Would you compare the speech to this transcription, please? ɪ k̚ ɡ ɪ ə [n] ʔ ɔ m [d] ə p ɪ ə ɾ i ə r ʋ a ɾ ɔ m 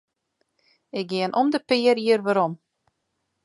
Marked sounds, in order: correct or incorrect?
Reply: correct, correct

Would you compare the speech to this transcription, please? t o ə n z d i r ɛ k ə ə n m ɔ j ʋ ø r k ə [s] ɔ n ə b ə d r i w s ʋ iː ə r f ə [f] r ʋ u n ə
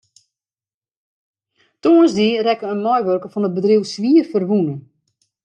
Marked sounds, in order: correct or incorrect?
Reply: incorrect, incorrect

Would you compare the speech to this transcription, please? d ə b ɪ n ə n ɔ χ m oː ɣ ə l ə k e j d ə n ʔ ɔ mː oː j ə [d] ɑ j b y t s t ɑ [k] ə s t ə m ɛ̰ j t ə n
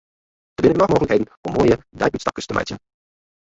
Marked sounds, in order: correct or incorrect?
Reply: correct, correct

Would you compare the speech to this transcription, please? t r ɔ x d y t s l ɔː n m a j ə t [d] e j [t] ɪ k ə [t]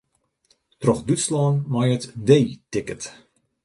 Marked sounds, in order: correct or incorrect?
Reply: correct, correct, correct

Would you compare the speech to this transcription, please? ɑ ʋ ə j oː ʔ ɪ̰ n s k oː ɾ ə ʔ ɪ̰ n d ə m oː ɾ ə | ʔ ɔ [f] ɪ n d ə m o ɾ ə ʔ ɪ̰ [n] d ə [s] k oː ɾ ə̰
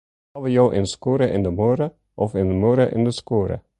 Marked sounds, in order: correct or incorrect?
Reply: correct, correct, correct

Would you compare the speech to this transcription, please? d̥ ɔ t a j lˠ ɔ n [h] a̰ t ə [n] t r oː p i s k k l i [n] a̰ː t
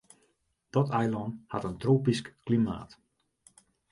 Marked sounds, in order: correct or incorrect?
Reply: correct, correct, incorrect

